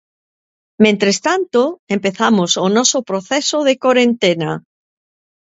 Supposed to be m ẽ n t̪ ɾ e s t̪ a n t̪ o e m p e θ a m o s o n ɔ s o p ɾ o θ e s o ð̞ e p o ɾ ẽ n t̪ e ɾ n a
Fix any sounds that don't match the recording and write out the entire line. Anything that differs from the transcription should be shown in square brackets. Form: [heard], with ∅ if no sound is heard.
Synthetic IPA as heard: m ẽ n t̪ ɾ e s t̪ a n t̪ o e m p e θ a m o s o n ɔ s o p ɾ o θ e s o ð̞ e [k] o ɾ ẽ n t̪ e [∅] n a